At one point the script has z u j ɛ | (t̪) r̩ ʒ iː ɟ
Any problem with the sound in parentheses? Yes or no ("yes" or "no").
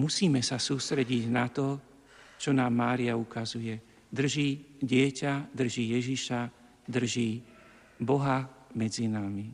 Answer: yes